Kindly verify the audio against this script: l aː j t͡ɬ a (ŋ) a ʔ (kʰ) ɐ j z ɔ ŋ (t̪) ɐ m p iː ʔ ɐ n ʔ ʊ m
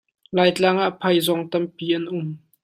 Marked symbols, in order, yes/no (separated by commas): yes, no, yes